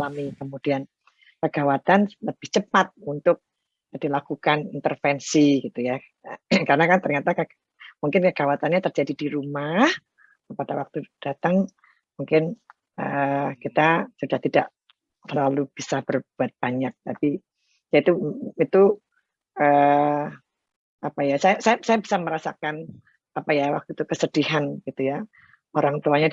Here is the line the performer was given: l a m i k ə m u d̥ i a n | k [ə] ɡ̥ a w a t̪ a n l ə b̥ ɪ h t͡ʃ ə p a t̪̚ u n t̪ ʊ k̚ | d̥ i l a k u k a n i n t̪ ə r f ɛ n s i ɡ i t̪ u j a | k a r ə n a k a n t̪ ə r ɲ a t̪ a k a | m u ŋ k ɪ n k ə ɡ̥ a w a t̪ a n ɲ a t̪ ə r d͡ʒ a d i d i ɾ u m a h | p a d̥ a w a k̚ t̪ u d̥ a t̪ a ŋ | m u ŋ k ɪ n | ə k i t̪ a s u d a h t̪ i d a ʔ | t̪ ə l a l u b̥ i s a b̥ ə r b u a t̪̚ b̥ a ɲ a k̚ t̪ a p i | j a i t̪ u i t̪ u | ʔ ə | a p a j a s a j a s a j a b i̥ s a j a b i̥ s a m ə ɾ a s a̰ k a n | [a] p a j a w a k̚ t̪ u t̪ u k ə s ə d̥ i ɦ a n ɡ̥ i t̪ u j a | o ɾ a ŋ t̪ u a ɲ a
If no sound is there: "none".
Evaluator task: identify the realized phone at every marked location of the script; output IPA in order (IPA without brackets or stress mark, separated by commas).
ə, a